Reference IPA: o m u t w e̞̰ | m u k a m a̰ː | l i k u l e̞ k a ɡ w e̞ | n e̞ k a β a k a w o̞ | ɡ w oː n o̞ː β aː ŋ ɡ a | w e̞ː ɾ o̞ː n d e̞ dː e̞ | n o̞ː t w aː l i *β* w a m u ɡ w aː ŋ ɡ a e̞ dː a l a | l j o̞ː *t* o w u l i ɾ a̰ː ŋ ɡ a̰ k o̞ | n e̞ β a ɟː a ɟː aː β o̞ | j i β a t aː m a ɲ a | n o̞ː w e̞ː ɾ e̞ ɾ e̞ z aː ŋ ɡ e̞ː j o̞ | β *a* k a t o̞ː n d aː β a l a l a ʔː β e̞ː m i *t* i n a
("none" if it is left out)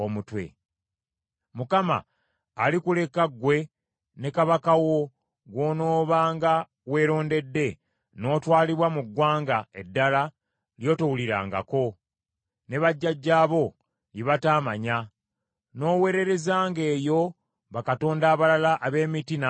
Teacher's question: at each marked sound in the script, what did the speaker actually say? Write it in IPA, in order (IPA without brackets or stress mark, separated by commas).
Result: β, t, a, t